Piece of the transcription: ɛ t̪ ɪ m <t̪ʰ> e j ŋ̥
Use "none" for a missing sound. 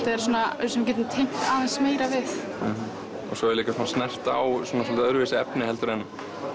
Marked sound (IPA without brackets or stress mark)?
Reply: t̪ʰ